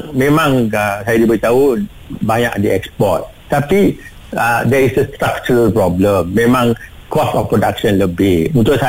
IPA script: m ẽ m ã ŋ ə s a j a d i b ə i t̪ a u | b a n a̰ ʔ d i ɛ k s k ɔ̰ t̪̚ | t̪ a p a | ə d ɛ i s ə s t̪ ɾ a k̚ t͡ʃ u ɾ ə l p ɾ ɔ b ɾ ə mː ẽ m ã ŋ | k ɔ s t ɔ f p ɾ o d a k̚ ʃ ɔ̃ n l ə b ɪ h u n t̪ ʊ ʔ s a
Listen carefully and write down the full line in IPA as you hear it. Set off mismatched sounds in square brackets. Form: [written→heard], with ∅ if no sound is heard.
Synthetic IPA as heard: m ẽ m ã ŋ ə s a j a d i b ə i t̪ a u | b a [n→ɲ] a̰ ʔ d i ɛ k s [k→p] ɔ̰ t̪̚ | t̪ a p [a→i] | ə d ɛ i s ə s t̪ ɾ a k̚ t͡ʃ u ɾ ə l p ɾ ɔ b [ɾ→l] ə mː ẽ m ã ŋ | k ɔ s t ɔ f p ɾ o d a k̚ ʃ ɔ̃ n l ə b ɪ h u n t̪ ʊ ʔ s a